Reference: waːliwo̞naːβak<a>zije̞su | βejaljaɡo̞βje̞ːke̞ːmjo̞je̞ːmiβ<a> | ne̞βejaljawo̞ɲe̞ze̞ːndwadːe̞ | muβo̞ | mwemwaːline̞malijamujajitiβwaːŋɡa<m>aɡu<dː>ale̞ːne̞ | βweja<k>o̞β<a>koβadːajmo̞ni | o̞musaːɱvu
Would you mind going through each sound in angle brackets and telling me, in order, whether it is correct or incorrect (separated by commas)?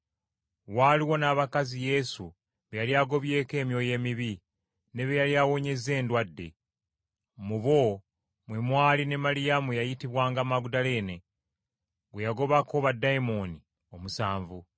correct, incorrect, correct, incorrect, incorrect, correct